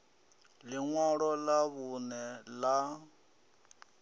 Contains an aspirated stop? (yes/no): no